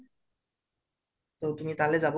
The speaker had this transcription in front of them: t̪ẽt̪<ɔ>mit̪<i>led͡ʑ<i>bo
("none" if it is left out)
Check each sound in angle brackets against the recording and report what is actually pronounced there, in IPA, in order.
u, a, a

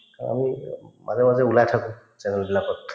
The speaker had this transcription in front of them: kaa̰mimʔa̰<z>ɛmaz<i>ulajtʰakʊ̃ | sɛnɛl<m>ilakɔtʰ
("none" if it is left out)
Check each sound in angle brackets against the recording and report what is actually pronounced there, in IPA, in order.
z, ɛ, b

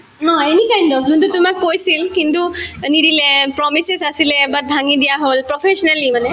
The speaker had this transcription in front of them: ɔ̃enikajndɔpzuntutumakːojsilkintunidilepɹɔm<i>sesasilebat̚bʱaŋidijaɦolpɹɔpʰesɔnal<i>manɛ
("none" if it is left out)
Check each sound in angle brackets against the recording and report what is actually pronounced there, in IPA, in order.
i, i

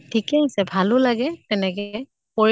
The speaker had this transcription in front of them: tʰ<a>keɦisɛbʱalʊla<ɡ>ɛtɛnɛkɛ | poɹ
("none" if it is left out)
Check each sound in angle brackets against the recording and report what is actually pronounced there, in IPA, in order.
i, ɡ

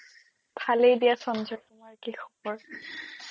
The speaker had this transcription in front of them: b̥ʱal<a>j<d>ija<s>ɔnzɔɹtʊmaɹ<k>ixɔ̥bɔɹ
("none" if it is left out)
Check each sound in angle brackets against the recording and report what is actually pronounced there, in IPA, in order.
e, d, s, k

